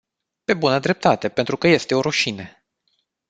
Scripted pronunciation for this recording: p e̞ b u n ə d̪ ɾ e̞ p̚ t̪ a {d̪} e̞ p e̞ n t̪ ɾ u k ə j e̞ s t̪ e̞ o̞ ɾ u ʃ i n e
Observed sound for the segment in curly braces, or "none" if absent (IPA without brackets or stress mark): t̪